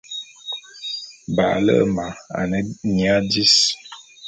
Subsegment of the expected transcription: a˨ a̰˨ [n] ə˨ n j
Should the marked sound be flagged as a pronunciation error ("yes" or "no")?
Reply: no